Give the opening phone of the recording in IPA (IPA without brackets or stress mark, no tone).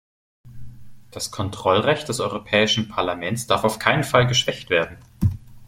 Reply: d̥